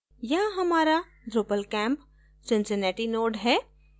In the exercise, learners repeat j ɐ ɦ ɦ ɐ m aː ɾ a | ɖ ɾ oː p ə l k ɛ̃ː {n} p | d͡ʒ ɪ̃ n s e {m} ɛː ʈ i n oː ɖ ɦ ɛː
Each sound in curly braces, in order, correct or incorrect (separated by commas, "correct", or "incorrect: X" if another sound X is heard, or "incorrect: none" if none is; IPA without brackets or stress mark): incorrect: m, incorrect: n